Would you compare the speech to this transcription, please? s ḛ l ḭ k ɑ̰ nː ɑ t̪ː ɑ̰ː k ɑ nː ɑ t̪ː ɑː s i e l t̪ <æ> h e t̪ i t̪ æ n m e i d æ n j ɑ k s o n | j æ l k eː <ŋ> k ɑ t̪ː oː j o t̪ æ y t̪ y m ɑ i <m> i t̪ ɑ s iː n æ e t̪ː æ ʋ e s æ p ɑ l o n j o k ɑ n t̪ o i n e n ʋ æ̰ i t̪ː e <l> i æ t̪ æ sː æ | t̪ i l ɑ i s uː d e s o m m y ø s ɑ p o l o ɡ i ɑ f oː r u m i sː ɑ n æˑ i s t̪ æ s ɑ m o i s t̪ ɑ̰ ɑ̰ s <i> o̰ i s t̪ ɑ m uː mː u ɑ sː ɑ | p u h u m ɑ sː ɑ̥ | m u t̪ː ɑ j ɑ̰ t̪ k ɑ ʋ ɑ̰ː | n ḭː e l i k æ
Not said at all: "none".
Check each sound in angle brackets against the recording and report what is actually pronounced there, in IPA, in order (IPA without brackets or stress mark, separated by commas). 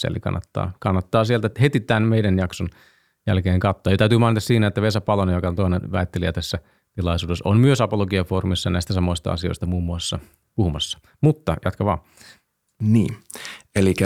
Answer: æ, ŋ, n, l, i